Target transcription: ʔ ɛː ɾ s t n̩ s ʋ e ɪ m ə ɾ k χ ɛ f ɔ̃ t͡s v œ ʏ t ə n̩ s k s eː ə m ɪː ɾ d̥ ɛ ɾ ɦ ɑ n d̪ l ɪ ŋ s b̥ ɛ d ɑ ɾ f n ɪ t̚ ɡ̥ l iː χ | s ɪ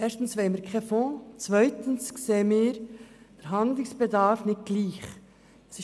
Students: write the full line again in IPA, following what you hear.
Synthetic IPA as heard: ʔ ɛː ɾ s t n̩ s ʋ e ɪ m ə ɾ k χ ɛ f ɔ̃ t͡s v œ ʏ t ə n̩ s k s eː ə m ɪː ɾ d̥ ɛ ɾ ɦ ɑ n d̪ l ɪ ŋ s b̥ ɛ d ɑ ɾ f n ɪ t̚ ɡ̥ l iː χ | s ɪ